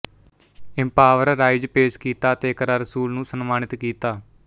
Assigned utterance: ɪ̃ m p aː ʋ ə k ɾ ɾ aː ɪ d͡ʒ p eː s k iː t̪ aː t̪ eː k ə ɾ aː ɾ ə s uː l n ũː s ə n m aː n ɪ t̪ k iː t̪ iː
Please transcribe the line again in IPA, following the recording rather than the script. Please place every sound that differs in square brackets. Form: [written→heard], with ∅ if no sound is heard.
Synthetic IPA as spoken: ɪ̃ m p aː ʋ ə [k→∅] ɾ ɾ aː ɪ d͡ʒ p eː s k iː t̪ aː t̪ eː k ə ɾ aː ɾ ə s uː l n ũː s ə n m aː n ɪ t̪ k iː t̪ [iː→aː]